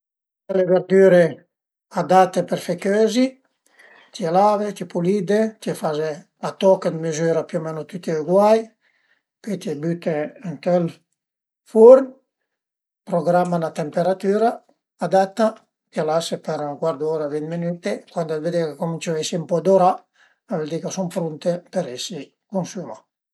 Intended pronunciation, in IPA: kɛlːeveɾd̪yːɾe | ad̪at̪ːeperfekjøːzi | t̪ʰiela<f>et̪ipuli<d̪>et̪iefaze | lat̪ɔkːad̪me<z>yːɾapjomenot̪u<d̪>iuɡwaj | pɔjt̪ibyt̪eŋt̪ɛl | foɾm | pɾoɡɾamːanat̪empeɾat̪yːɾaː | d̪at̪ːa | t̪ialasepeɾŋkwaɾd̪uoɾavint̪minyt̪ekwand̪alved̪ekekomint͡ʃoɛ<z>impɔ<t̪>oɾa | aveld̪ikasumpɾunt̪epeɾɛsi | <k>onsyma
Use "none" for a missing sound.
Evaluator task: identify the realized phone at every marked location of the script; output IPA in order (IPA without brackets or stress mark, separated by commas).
v, d̪, z, t̪, s, d̪, k